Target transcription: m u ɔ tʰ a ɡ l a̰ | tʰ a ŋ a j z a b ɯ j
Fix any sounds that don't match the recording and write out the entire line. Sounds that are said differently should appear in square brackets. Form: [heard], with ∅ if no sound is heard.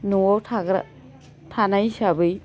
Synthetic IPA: [n] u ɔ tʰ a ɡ [ɾ] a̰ | tʰ a [n] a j [s] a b ɯ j